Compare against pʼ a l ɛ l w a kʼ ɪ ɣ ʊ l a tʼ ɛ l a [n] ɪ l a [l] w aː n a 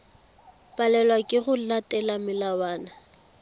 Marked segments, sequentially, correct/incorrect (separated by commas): incorrect, incorrect